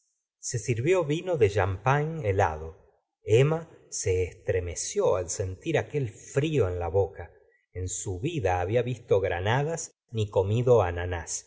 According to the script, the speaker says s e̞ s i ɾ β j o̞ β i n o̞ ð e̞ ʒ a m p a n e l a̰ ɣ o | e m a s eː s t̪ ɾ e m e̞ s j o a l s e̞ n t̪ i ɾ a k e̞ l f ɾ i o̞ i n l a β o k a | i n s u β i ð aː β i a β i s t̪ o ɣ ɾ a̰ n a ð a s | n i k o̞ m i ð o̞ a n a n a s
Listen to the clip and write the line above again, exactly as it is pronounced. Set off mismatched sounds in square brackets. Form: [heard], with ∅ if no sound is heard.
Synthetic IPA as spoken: s e̞ s i ɾ β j o̞ β i n o̞ ð e̞ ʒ a m p a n e l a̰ [ð] o | e m a s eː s t̪ ɾ e m e̞ s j o a l s e̞ n t̪ i ɾ a k e̞ l f ɾ i o̞ [e] n l a β o k a | [e] n s u β i ð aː β i a β i s t̪ o ɣ ɾ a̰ n a ð a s | n i k o̞ m i ð o̞ a n a n a s